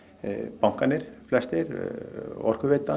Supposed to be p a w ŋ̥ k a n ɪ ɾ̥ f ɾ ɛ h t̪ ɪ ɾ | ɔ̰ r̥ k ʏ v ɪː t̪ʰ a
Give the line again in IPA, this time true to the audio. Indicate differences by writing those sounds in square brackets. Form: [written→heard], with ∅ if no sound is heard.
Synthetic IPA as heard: p a w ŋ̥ k a n ɪ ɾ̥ f [ɾ→l] ɛ [h→s] t̪ ɪ ɾ | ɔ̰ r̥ k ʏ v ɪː [t̪ʰ→t̪] a